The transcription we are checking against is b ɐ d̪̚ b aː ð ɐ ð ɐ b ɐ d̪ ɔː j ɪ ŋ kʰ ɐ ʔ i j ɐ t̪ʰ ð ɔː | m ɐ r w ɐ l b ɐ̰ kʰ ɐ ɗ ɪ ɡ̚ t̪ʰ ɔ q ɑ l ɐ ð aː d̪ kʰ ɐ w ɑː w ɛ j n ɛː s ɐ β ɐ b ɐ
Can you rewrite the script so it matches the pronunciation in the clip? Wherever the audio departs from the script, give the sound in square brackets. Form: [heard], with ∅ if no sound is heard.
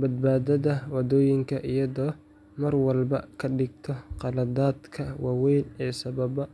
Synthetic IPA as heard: b ɐ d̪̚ b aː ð ɐ ð ɐ [w] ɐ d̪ ɔː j ɪ ŋ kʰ ɐ ʔ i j ɐ [∅] ð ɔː | m ɐ r w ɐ l b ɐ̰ kʰ ɐ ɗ ɪ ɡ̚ t̪ʰ ɔ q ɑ l ɐ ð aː d̪ kʰ ɐ w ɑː w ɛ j n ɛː s ɐ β ɐ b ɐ